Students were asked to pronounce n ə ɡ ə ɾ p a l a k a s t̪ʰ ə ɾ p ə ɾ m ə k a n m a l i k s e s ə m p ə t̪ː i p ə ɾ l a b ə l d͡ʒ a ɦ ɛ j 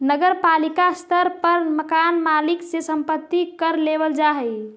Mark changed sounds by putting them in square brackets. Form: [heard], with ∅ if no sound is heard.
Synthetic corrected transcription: n ə ɡ ə ɾ p a l [i] k a s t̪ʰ ə ɾ p ə ɾ m ə k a n m a l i k s e s ə m p ə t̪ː i [k] ə ɾ l [e] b ə l d͡ʒ a ɦ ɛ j